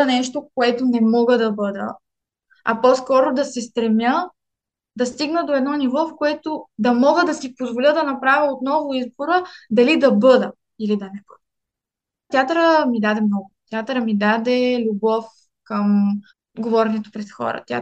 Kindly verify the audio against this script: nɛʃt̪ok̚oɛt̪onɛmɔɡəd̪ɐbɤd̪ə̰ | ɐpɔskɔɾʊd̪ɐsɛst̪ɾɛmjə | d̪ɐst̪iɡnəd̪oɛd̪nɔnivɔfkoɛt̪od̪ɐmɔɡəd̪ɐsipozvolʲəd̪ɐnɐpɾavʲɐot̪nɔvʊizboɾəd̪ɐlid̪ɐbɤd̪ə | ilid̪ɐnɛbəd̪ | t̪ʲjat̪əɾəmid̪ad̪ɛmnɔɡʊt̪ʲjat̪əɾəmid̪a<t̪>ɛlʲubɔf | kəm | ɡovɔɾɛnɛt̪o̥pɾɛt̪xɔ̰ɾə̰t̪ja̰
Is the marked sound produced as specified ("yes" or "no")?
no